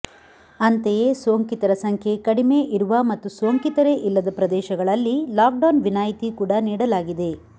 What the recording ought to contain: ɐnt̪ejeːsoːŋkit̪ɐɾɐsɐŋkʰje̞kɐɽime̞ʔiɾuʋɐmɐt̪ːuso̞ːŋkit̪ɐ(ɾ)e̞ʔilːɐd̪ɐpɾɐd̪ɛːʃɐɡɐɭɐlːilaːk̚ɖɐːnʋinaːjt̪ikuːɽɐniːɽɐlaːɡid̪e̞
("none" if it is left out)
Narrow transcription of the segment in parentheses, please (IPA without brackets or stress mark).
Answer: ɾ